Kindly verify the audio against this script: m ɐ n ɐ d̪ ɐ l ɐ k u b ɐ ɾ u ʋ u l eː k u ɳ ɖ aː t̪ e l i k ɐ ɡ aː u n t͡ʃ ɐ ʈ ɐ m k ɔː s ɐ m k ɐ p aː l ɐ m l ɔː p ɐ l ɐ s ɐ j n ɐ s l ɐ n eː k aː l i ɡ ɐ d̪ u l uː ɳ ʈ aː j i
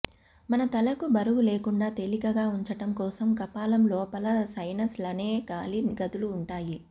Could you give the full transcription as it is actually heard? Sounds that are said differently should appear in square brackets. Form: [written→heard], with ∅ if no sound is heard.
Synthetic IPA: m ɐ n ɐ [d̪→t̪] ɐ l ɐ k u b ɐ ɾ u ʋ u l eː k u ɳ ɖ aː t̪ e l i k ɐ ɡ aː u [n→ɲ] t͡ʃ ɐ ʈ ɐ m k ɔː s ɐ m k ɐ p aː l ɐ m l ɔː p ɐ l ɐ s ɐ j n ɐ s l ɐ n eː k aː l i ɡ ɐ d̪ u l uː ɳ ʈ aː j i

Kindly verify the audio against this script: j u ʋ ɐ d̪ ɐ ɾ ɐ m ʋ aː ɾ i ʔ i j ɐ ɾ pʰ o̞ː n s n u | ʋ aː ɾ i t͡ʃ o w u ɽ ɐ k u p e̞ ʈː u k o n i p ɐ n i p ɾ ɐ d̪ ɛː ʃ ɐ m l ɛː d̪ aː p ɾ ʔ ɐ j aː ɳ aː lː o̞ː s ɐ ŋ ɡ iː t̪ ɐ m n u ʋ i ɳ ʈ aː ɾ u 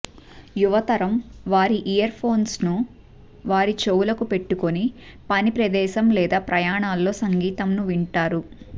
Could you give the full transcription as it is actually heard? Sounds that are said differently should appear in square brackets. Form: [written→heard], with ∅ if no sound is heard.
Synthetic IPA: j u ʋ ɐ [d̪→t̪] ɐ ɾ ɐ m ʋ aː ɾ i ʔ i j ɐ ɾ pʰ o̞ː n s n u | ʋ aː ɾ i t͡ʃ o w u [ɽ→l] ɐ k u p e̞ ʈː u k o n i p ɐ n i p ɾ ɐ d̪ ɛː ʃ ɐ m l ɛː d̪ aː p ɾ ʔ ɐ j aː ɳ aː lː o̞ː s ɐ ŋ ɡ iː t̪ ɐ m n u ʋ i ɳ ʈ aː ɾ u

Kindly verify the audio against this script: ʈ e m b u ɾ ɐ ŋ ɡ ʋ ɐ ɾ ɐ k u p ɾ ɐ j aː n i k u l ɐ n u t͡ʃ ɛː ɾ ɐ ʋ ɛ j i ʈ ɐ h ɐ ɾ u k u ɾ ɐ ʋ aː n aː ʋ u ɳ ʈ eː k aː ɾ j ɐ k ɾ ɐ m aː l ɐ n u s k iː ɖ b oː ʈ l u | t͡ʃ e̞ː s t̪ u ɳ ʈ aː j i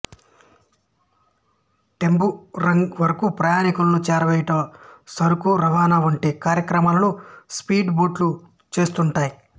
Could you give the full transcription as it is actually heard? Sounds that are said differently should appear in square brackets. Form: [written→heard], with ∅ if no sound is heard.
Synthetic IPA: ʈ e m b u ɾ ɐ ŋ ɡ ʋ ɐ ɾ ɐ k u p ɾ ɐ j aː n i k u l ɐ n u t͡ʃ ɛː ɾ ɐ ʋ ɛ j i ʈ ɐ [h→s] ɐ ɾ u k u ɾ ɐ ʋ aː n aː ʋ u ɳ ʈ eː k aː ɾ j ɐ k ɾ ɐ m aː l ɐ n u s [k→p] iː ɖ b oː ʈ l u | t͡ʃ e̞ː s t̪ u ɳ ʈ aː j i

